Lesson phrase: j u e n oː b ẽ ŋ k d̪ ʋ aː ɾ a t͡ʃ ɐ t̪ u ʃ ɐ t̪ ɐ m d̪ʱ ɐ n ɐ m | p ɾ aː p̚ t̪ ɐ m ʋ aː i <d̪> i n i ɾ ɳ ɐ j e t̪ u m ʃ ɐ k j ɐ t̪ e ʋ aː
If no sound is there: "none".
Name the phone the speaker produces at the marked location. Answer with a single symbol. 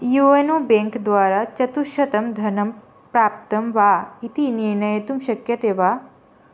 t̪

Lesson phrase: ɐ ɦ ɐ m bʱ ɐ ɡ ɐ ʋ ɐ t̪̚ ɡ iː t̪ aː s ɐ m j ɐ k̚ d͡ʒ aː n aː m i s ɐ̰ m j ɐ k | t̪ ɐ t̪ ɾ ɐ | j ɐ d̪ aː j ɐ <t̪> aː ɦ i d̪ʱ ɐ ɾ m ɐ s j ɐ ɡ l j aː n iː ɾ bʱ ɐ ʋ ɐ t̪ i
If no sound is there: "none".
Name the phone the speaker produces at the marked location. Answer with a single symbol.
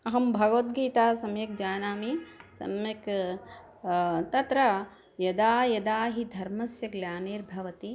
d̪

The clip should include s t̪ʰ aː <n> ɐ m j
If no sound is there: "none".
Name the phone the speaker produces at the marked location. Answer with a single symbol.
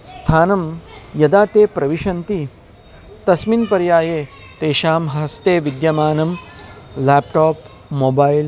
n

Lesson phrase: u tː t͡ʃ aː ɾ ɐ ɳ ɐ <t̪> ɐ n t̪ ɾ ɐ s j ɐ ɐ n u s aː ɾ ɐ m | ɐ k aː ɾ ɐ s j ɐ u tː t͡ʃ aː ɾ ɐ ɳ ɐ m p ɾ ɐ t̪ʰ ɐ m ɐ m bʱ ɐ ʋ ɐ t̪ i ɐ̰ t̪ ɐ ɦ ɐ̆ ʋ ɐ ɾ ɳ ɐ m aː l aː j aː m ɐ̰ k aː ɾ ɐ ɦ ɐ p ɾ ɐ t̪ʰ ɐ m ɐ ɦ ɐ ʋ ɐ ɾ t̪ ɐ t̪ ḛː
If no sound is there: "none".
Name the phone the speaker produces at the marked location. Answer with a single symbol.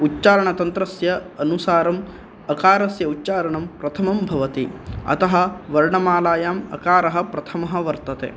t̪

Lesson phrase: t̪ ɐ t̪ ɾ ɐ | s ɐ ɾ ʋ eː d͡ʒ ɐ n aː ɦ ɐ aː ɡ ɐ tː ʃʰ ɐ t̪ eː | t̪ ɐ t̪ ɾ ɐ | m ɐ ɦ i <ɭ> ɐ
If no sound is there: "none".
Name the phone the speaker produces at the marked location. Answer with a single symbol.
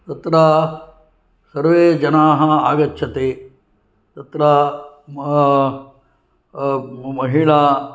ɭ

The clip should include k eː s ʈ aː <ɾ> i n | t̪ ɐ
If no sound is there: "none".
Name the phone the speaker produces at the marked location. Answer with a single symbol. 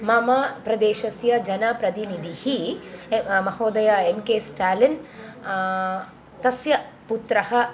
l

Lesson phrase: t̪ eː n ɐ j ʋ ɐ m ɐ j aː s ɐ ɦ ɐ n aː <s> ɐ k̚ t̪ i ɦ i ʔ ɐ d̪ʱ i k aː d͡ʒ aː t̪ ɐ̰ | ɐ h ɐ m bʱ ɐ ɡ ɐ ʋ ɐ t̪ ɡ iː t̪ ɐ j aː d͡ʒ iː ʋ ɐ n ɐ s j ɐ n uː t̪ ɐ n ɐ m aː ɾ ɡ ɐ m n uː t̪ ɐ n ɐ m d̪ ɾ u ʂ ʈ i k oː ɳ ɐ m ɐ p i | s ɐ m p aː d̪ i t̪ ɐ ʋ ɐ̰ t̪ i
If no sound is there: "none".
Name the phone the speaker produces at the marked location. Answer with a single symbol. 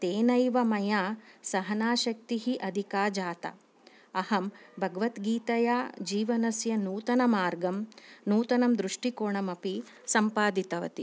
ʃ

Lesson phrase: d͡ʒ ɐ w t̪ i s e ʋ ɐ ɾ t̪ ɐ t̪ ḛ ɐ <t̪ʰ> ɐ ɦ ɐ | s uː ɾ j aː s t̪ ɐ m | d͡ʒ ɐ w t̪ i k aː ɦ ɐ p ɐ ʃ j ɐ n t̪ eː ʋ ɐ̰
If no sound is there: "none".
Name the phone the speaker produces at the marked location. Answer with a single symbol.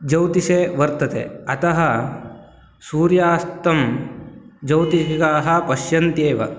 t̪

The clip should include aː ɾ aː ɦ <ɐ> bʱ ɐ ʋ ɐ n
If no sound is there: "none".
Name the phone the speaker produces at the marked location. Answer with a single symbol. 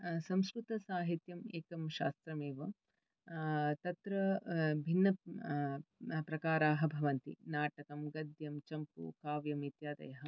ɐ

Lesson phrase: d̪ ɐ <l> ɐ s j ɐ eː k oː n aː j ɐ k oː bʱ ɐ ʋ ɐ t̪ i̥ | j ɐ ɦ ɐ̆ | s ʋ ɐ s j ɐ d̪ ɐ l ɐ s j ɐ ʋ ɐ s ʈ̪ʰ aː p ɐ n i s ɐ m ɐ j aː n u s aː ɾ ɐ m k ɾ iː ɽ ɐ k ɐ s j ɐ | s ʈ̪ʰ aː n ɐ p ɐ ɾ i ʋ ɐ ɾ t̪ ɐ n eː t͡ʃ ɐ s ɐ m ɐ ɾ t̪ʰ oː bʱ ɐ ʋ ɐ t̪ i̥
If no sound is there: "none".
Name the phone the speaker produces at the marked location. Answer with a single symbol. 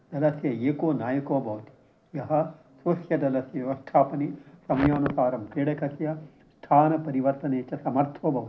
l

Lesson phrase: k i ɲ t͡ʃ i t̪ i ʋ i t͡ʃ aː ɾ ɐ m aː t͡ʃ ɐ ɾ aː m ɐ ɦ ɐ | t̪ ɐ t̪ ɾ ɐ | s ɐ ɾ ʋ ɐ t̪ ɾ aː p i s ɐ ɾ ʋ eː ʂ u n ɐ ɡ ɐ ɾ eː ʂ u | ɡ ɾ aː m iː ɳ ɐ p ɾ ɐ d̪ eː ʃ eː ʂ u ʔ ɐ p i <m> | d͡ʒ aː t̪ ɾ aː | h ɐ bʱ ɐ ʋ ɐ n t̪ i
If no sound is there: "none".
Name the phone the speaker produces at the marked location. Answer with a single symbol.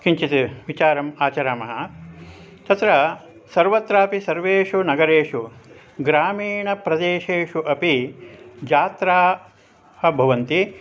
none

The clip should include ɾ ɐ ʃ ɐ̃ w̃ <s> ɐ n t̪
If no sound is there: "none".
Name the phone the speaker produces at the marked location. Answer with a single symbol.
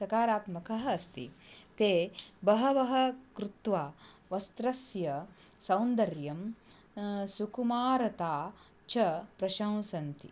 s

